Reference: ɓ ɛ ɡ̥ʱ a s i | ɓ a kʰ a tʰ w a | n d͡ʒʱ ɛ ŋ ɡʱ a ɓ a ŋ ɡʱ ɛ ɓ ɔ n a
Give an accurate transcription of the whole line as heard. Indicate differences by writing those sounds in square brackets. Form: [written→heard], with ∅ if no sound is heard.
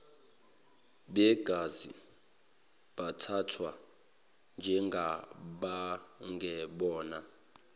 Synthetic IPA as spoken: ɓ ɛ ɡ̥ʱ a [s→z] i | ɓ a [kʰ→tʰ] a tʰ w a | n d͡ʒʱ ɛ ŋ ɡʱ a ɓ a ŋ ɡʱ ɛ ɓ [ɔ→ɔː] n a